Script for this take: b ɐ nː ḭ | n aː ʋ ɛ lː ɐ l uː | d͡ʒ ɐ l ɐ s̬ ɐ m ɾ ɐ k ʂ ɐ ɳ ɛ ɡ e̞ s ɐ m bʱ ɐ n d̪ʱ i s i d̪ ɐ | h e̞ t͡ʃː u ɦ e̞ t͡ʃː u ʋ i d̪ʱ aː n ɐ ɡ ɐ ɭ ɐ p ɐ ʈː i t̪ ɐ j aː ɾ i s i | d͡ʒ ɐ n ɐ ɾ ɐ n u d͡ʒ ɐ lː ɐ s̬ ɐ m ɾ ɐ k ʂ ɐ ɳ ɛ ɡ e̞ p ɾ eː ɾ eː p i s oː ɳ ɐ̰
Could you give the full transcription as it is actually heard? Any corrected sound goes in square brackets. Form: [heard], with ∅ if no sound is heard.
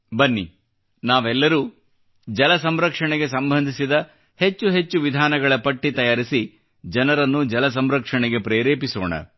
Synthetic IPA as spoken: b ɐ nː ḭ | n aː ʋ ɛ lː ɐ [ɾ] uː | d͡ʒ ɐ l ɐ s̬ ɐ m ɾ ɐ k ʂ ɐ ɳ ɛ ɡ e̞ s ɐ m bʱ ɐ n d̪ʱ i s i d̪ ɐ | h e̞ t͡ʃː u ɦ e̞ t͡ʃː u ʋ i d̪ʱ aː n ɐ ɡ ɐ ɭ ɐ p ɐ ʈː i t̪ ɐ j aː ɾ i s i | d͡ʒ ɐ n ɐ ɾ ɐ [nː] u d͡ʒ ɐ [l] ɐ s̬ ɐ m ɾ ɐ k ʂ ɐ ɳ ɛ ɡ e̞ p ɾ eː ɾ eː p i s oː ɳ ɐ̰